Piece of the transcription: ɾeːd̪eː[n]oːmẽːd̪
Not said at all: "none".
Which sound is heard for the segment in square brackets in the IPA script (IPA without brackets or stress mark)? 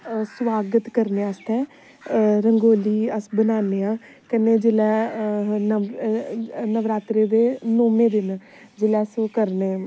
n